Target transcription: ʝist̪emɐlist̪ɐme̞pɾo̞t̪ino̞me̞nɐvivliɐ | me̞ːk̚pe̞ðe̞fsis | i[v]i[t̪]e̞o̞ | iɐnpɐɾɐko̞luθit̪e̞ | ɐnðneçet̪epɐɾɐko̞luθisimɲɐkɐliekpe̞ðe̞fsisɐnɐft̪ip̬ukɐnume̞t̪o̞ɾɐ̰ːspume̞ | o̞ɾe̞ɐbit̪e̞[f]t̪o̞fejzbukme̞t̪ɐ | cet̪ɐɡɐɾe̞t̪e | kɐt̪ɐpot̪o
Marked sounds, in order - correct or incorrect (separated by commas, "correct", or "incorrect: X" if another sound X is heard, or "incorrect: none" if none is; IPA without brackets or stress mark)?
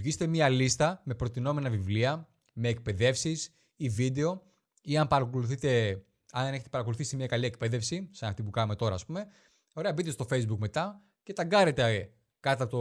correct, incorrect: d̪, incorrect: s